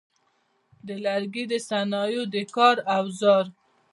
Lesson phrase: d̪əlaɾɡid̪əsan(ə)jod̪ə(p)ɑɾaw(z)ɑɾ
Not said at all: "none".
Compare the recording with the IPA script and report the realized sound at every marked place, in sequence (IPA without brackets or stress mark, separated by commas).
ɑ, k, z